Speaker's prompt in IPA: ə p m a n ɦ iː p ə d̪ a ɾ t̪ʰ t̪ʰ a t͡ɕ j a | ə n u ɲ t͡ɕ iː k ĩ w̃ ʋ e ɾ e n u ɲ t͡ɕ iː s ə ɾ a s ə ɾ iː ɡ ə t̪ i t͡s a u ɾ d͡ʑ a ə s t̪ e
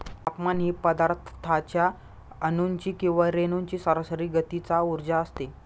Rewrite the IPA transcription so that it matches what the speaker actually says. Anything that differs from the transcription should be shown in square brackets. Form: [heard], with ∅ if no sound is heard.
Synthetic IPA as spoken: [a] p m a n ɦ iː p ə d̪ a ɾ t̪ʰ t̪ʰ a t͡ɕ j a | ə n u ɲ t͡ɕ iː k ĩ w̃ ʋ [a] ɾ e n u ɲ t͡ɕ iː s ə ɾ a s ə ɾ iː ɡ ə t̪ i t͡s a u ɾ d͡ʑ a ə s t̪ e